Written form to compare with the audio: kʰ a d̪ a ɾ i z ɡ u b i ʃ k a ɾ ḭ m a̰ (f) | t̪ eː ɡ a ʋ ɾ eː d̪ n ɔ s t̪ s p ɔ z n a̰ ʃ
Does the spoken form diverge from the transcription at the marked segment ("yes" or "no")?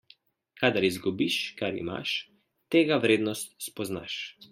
yes